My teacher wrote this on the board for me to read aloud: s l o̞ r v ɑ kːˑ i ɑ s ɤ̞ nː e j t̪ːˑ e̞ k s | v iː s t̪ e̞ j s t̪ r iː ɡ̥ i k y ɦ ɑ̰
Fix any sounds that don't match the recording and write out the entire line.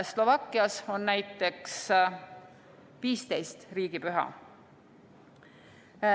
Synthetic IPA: s l o̞ v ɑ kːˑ i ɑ s o̞ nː æ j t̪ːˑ e̞ k s | v iː s t̪ e̞ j s t̪ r iː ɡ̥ i p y ɦ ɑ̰